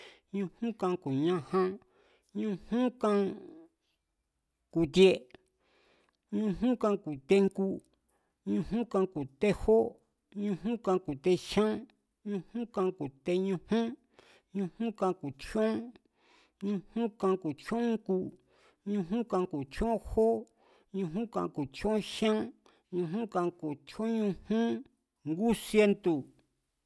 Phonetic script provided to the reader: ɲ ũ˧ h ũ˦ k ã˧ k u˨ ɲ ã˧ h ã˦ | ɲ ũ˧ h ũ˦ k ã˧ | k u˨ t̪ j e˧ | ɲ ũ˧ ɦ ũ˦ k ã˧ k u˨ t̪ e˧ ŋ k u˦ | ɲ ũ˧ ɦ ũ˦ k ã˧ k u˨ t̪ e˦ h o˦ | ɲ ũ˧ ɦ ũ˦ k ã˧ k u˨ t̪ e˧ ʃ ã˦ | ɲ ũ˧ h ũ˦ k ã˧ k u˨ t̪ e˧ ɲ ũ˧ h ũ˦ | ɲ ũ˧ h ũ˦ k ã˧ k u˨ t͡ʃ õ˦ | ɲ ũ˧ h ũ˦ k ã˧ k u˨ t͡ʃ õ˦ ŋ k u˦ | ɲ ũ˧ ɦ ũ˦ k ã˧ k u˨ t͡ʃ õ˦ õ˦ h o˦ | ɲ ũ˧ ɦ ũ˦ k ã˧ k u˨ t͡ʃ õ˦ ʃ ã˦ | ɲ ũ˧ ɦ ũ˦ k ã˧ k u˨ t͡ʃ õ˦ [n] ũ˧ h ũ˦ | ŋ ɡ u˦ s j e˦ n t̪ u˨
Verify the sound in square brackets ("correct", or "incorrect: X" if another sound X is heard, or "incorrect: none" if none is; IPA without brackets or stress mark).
incorrect: ɲ